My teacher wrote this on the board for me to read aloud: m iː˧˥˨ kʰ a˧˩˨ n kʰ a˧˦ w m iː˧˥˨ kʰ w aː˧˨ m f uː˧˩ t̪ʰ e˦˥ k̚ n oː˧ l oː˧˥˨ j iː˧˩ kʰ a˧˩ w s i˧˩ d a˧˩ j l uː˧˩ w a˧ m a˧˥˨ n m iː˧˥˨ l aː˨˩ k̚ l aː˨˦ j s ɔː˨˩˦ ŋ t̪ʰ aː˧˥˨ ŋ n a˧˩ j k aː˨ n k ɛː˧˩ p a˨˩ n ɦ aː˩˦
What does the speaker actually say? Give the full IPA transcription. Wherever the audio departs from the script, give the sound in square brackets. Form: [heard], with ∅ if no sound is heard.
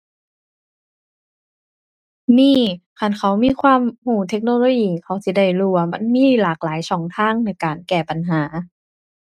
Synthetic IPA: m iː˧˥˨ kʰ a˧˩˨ n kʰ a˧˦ w m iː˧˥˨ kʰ w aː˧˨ m [h] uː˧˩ t̪ʰ e˦˥ k̚ n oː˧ l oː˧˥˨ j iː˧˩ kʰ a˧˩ w s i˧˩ d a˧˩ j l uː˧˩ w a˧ m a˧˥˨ n m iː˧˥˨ l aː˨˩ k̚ l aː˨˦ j s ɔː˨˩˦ ŋ t̪ʰ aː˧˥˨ ŋ n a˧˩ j k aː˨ n k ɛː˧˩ p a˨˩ n ɦ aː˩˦

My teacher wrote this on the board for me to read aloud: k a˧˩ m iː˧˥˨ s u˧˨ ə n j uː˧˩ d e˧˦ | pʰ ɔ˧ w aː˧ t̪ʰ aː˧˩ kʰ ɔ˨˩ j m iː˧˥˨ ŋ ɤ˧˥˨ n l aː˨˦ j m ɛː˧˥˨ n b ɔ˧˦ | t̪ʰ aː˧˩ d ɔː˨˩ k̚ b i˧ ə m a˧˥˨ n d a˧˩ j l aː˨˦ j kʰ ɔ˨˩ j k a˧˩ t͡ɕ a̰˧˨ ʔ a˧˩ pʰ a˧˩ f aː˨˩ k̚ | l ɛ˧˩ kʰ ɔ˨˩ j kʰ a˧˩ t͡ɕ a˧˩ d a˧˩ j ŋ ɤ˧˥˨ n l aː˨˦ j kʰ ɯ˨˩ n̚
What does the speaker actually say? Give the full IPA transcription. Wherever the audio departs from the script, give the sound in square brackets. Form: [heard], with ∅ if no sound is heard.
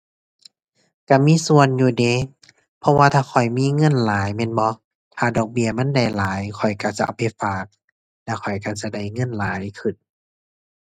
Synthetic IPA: k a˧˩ m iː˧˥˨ s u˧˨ ə n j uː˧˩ d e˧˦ | pʰ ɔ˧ w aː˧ t̪ʰ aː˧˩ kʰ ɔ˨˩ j m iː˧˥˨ ŋ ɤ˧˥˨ n l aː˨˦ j m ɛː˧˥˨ n b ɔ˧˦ | t̪ʰ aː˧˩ d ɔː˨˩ k̚ b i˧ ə m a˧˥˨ n d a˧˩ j l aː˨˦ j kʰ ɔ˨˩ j k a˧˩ t͡ɕ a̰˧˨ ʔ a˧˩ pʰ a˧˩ f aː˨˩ k̚ | l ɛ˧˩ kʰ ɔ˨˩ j [k] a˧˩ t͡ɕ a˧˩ d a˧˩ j ŋ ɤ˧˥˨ n l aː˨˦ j kʰ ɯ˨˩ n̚

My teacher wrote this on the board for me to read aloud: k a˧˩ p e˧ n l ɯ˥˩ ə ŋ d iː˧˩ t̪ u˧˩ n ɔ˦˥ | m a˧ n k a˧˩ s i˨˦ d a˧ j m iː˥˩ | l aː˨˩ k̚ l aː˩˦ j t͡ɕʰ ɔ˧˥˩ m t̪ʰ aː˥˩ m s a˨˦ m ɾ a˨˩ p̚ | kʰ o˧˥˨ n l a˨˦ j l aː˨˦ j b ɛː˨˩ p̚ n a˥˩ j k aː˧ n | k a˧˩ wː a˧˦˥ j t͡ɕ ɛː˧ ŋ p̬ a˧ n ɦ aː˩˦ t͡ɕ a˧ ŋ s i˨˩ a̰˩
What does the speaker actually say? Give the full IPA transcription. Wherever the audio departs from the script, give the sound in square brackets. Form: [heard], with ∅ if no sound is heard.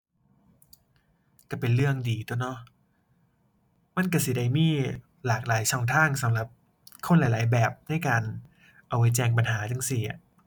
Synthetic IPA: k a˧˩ p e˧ n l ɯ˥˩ ə ŋ d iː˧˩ t̪ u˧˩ n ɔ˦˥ | m [a˥˨] n k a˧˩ s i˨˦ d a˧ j m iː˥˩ | l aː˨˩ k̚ l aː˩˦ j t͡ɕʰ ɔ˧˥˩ [ŋ] t̪ʰ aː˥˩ [ŋ] s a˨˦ m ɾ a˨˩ p̚ | kʰ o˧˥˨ n l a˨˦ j l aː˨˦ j b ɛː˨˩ p̚ n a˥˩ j k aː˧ n | [ʔ] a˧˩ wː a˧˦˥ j t͡ɕ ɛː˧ ŋ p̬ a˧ n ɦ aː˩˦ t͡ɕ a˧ ŋ s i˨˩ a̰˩

